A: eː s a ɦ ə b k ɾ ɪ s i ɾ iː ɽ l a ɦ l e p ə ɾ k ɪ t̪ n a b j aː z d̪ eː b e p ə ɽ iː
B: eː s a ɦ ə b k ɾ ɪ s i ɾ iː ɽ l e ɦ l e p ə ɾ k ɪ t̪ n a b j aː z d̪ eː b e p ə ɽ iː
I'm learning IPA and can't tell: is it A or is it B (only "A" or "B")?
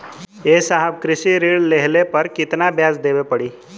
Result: B